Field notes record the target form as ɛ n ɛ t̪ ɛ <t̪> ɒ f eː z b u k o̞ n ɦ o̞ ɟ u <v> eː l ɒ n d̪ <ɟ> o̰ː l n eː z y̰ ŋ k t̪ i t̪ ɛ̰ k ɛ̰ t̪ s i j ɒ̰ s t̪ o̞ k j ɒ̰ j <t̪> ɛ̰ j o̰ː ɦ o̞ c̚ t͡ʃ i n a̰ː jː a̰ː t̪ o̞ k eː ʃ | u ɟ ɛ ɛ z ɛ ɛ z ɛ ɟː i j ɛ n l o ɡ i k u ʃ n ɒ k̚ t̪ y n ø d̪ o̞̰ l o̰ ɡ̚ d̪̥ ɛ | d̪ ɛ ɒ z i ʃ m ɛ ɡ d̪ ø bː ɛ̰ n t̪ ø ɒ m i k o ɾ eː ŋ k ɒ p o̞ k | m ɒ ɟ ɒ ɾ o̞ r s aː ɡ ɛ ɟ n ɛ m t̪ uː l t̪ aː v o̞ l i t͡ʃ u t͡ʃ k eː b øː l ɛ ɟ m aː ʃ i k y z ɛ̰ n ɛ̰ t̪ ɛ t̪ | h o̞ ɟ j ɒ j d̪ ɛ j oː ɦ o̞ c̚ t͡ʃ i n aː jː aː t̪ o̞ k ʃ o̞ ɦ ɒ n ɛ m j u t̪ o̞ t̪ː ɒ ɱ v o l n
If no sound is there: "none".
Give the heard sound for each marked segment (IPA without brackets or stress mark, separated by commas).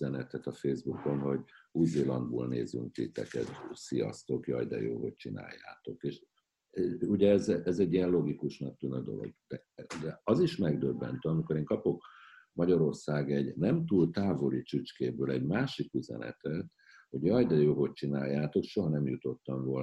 t̪, z, b, d̪